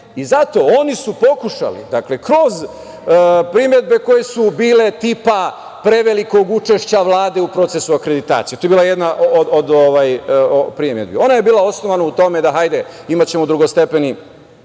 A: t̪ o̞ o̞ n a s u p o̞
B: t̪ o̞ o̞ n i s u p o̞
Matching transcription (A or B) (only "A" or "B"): B